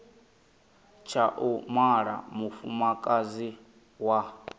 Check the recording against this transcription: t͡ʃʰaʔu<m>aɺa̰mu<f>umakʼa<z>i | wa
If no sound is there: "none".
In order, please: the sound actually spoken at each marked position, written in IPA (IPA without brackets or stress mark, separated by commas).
m, f, z